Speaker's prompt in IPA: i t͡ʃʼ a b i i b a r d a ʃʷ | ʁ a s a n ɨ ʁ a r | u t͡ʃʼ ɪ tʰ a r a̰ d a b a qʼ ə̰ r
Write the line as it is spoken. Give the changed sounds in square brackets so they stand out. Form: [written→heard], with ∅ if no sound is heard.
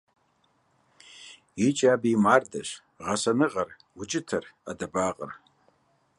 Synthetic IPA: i t͡ʃʼ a b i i [b→m] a r d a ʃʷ | ʁ a s a n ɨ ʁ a r | u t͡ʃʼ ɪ tʰ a r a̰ d a b a qʼ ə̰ r